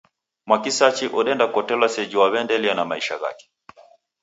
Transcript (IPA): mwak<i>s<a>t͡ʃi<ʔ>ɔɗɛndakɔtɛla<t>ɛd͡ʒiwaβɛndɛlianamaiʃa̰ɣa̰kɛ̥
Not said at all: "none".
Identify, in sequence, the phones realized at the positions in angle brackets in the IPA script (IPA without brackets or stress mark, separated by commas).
i, a, ʔ, s